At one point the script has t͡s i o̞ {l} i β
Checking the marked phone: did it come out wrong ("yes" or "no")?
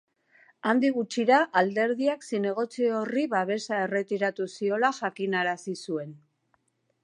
yes